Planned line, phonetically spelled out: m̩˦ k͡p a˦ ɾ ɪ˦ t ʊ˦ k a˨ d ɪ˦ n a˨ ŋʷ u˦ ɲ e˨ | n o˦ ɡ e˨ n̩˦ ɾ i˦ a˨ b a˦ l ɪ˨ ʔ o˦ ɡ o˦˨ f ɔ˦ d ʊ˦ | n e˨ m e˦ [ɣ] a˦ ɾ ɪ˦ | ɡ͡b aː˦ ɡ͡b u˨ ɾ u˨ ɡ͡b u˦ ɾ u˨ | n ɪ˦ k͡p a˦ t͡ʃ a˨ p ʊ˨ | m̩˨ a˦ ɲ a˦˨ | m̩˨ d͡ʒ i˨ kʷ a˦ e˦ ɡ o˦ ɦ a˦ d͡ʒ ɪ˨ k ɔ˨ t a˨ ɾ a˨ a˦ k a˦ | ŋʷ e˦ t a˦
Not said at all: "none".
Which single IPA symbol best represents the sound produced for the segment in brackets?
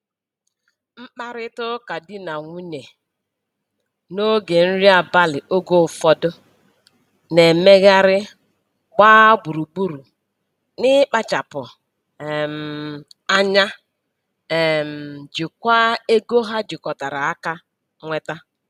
ɣ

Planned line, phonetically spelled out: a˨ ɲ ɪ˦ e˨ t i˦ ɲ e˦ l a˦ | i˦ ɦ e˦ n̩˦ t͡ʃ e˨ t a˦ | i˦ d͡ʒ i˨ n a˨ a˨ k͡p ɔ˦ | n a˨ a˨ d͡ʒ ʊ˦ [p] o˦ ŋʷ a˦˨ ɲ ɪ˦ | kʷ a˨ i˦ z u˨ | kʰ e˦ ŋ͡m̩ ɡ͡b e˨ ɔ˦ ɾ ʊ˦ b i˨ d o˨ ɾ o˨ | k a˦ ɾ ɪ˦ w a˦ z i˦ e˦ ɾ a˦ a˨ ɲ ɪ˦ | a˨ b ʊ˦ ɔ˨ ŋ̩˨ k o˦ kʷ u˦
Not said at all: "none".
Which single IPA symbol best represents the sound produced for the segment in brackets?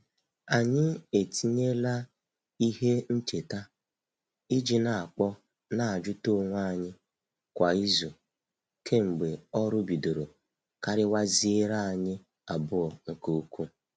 t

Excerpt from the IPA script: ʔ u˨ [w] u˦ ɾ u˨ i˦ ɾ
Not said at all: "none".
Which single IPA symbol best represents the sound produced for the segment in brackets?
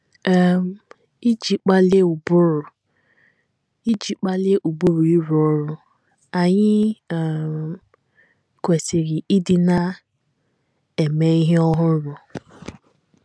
b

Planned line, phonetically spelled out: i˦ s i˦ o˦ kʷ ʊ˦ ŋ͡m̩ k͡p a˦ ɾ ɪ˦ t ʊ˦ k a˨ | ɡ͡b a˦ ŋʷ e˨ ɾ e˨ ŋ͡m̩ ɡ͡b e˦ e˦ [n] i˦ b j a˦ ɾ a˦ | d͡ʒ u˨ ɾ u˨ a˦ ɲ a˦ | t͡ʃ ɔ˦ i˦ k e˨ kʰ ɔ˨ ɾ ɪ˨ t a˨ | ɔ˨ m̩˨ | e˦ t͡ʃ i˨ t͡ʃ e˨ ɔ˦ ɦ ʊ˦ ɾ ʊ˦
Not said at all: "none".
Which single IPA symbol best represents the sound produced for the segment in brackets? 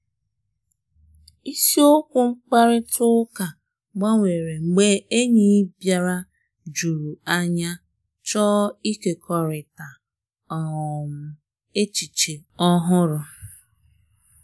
ɲ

